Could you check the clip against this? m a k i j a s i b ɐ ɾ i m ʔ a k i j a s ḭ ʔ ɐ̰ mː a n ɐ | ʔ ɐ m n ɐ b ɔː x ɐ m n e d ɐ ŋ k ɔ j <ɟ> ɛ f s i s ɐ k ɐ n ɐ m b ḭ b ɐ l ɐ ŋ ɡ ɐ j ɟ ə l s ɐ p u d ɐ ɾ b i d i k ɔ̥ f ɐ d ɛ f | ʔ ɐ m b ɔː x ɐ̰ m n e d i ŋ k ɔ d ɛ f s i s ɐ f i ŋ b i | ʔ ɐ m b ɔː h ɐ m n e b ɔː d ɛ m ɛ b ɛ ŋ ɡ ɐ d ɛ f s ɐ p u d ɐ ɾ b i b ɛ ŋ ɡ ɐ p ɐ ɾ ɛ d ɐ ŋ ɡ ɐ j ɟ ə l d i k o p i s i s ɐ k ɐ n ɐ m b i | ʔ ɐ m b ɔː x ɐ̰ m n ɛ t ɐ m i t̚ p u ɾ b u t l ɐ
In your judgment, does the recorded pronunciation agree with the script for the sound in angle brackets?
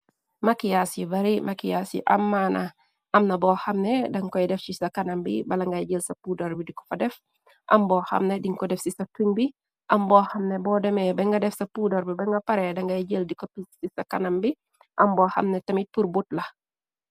no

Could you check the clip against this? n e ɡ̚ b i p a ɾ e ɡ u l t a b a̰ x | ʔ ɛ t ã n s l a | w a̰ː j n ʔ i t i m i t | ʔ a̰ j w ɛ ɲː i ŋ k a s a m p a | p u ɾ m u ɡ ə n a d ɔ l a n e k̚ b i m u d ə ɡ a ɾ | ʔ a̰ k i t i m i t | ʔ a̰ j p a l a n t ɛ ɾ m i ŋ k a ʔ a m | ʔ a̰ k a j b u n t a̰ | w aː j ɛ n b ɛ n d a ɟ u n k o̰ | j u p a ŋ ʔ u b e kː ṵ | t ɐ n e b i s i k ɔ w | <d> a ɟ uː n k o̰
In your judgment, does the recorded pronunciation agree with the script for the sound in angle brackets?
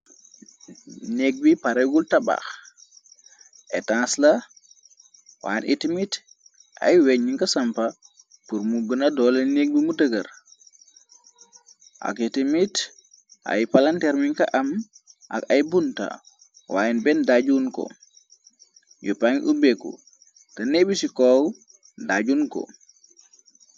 yes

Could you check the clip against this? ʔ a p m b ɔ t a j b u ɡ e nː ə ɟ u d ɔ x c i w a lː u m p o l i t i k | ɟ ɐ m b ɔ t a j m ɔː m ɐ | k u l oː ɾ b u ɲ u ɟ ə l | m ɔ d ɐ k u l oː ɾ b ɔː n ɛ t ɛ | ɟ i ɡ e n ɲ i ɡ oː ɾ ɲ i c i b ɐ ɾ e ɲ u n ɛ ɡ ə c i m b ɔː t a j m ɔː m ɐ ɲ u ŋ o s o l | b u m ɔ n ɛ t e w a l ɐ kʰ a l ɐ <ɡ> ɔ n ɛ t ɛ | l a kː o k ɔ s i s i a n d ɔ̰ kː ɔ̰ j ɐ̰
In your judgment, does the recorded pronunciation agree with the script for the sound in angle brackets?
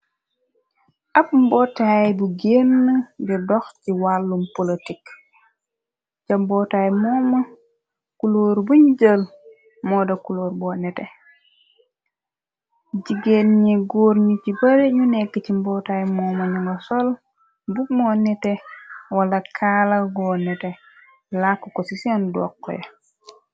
yes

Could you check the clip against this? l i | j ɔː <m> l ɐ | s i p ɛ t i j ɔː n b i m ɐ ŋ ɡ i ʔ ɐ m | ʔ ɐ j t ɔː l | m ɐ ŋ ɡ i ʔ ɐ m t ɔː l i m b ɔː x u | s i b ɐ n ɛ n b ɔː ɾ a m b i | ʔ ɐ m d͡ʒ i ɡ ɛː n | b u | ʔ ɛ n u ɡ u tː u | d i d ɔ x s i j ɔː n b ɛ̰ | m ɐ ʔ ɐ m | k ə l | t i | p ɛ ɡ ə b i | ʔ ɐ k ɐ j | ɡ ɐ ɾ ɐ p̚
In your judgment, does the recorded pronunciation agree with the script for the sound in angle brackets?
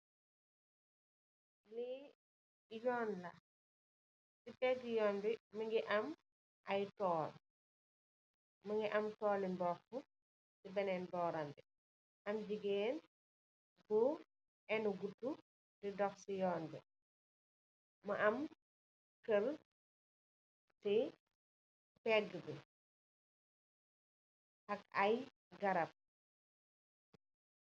no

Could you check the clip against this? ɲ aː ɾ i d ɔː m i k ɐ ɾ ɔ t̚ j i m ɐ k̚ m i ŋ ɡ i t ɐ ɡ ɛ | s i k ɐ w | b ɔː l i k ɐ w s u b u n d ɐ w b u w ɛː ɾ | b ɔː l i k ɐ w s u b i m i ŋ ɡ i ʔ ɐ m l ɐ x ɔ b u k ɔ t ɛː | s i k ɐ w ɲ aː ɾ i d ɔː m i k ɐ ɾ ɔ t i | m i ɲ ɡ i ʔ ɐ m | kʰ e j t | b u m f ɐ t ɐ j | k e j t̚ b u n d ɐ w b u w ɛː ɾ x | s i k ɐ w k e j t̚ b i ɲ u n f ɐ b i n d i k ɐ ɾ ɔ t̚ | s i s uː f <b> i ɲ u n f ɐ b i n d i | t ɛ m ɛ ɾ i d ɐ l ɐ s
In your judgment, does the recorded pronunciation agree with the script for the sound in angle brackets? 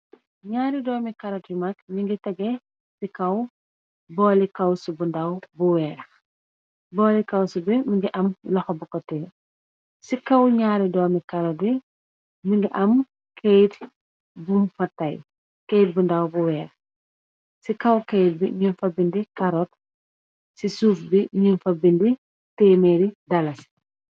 yes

